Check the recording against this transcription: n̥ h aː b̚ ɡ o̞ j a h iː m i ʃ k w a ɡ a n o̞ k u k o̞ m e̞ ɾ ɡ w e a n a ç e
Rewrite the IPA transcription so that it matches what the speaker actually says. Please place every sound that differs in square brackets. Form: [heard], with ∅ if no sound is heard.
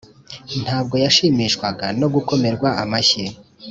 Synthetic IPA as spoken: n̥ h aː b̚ ɡ o̞ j a [ʃ] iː m i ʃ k w a ɡ a n o̞ [ɡ] u k o̞ m e̞ ɾ ɡ w [a] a [m] a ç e

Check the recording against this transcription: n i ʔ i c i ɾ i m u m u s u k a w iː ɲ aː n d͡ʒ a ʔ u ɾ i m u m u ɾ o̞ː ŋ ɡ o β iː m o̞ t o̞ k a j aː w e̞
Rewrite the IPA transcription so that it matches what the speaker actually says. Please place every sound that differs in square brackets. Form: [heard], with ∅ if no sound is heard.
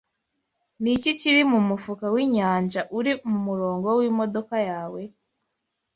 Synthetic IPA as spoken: n i [c] i c i ɾ i m u m u [f] u k a w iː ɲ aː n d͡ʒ a ʔ u ɾ i m u m u ɾ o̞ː ŋ ɡ o [w] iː m o̞ [d] o̞ k a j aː w e̞

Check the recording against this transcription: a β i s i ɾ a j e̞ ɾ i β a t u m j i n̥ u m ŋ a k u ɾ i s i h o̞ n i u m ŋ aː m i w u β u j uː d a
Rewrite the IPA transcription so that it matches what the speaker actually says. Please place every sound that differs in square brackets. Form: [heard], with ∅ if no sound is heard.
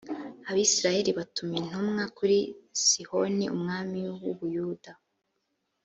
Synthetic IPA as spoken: a β i s i ɾ a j e̞ ɾ i β a t u m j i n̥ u m ŋ a k u ɾ i s i h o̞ n i u m ŋ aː m i w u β u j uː d a

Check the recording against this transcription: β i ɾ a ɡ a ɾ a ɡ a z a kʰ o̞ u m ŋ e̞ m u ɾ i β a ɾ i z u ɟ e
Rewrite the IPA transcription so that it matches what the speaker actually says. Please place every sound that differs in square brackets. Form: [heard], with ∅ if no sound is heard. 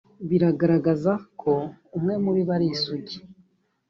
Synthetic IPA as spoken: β i ɾ a ɡ a ɾ a ɡ a z a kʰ o̞ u m ŋ e̞ m u ɾ i β a ɾ i [s] u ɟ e

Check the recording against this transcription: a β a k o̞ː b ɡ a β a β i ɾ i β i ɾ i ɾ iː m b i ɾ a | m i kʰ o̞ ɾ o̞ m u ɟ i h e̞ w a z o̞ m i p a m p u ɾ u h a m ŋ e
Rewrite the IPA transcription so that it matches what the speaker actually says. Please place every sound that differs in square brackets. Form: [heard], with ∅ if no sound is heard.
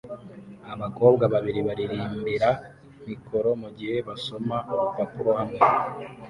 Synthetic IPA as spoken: a β a k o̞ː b ɡ a β a β i ɾ i β [a] ɾ i ɾ iː m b i ɾ a | m i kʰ o̞ ɾ o̞ m u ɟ i h e̞ [β] a [s] o̞ m [a] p a [∅] p u ɾ [o] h a m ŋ e

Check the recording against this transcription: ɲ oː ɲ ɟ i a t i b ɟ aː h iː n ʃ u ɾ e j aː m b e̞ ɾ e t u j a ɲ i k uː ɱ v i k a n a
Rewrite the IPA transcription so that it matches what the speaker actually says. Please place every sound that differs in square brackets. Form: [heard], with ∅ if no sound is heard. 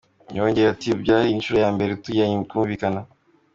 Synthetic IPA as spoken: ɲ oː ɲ ɟ [e] a t i b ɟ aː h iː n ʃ u ɾ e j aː m b e̞ ɾ e t u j a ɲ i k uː ɱ v i k a n a

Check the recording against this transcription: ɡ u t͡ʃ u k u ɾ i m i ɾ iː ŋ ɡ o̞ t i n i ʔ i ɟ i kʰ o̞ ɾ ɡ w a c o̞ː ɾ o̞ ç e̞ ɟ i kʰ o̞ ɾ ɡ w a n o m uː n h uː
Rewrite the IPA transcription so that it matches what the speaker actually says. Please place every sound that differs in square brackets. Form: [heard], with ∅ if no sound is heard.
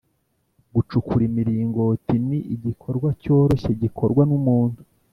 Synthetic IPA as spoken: ɡ u t͡ʃ u k u ɾ i m i ɾ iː ŋ ɡ o̞ t i n i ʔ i ɟ i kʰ o̞ ɾ ɡ w a c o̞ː ɾ o̞ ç e̞ ɟ i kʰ o̞ ɾ ɡ w a n [u] m uː n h [u]

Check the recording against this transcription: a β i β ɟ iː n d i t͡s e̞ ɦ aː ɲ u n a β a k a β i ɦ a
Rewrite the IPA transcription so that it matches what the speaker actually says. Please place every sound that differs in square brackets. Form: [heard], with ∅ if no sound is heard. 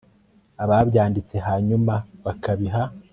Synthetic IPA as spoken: a β [a] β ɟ [aː] n d i t͡s e̞ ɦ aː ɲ u [m] a β a k a β i ɦ a

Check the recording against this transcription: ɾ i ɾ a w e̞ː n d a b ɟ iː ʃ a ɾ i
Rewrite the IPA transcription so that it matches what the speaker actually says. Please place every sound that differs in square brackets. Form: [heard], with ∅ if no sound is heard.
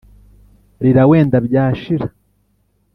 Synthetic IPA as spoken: ɾ i ɾ a w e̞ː n d a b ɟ [aː] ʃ [i] ɾ [a]

